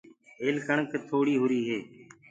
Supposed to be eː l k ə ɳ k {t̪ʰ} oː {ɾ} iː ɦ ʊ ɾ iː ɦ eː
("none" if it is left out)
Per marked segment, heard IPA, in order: t̪ʰ, ɽ

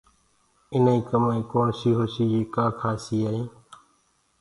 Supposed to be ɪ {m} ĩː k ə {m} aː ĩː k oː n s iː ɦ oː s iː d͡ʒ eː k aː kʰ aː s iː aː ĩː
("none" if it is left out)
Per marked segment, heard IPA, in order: n, m

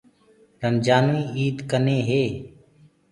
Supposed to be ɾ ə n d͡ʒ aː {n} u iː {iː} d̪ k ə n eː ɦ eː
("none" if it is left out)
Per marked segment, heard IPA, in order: n, iː

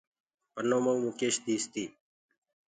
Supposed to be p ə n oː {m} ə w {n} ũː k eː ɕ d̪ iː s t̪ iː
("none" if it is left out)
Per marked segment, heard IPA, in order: m, m

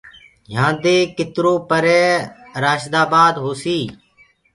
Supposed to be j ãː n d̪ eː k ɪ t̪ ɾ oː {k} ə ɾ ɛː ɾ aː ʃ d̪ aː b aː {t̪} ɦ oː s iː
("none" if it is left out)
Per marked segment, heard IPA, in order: p, d̪

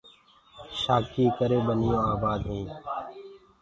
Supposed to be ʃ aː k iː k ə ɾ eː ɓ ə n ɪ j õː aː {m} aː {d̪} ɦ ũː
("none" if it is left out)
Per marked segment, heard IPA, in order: b, d̪

